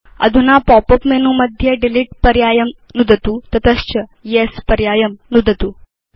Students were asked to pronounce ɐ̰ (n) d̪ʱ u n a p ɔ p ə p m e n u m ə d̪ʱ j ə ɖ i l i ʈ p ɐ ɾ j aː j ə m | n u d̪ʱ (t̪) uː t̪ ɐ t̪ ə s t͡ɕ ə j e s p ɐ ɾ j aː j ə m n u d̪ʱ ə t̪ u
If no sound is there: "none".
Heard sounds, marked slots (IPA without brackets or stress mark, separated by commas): none, t̪